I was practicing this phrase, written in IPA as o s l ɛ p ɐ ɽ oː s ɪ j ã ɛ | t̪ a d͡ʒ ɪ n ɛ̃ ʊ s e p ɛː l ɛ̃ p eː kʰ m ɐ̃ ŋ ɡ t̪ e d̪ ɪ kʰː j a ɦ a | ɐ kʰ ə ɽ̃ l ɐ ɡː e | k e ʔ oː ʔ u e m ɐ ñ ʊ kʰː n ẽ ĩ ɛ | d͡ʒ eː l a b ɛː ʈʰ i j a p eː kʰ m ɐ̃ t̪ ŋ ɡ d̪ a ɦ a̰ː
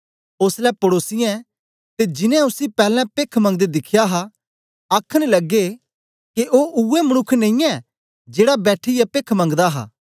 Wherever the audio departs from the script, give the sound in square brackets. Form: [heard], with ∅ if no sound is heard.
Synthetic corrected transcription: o s l ɛ p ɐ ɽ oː s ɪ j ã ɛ | t̪ [e] d͡ʒ ɪ n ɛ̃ ʊ s [i] p ɛː l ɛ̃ p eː kʰ m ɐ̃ ŋ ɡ [d̪] e d̪ ɪ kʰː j a ɦ a | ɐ kʰ ə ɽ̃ l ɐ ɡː e | k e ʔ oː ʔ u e m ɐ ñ ʊ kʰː n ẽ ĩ ɛ | d͡ʒ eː [ɽ] a b ɛː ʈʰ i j a p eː kʰ m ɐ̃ [∅] ŋ ɡ d̪ a ɦ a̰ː

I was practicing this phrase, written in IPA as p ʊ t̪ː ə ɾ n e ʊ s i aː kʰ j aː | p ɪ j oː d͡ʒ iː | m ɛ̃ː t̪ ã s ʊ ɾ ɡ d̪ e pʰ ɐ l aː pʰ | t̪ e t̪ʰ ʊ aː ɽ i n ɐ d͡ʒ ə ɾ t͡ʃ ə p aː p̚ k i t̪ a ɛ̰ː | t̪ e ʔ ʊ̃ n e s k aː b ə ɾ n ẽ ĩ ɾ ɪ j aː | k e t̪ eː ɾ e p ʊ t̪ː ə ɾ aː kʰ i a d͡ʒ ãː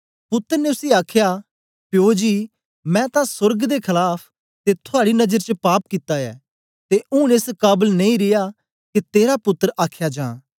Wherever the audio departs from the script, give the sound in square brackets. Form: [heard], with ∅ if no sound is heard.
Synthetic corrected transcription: p ʊ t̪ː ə ɾ n e ʊ s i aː kʰ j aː | p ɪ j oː d͡ʒ iː | m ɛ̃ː t̪ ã s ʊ ɾ ɡ d̪ e [kʰ] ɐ l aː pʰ | t̪ e t̪ʰ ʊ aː ɽ i n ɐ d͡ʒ ə ɾ t͡ʃ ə p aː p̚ k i t̪ a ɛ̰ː | t̪ e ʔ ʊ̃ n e s k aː b ə [l] n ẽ ĩ ɾ ɪ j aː | k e t̪ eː ɾ [a] p ʊ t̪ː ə ɾ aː kʰ [j] a d͡ʒ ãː

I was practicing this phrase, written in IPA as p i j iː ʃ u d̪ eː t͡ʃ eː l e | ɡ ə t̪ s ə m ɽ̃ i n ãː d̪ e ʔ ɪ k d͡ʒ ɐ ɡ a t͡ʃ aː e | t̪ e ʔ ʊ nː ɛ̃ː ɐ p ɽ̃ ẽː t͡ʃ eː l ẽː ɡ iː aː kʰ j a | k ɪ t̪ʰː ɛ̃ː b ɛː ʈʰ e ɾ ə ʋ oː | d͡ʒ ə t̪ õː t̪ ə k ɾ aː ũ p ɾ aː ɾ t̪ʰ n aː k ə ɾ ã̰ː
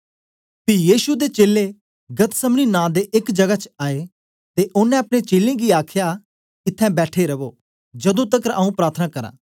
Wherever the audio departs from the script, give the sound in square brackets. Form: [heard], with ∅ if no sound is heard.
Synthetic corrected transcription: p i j iː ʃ u d̪ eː t͡ʃ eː l e | ɡ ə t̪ s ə m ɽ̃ i n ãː d̪ e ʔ ɪ k d͡ʒ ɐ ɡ a t͡ʃ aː e | t̪ e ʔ ʊ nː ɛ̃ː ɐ p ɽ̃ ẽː t͡ʃ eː l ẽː ɡ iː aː kʰ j a | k ɪ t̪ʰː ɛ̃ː b ɛː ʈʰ e ɾ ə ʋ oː | d͡ʒ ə [d̪] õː t̪ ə k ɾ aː ũ p ɾ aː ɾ t̪ʰ n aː k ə ɾ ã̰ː

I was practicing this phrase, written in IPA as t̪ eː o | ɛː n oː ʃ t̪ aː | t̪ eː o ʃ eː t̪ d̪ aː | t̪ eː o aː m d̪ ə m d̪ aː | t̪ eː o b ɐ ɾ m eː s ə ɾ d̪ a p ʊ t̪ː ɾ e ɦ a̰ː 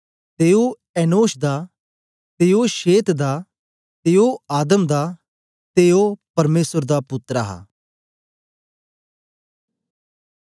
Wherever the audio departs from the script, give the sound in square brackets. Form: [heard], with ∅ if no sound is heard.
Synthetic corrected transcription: t̪ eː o | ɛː n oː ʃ [d̪] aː | t̪ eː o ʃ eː t̪ d̪ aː | t̪ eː o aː [∅] d̪ ə m d̪ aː | t̪ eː o [p] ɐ ɾ m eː s ə ɾ d̪ a p ʊ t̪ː ɾ [a] ɦ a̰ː

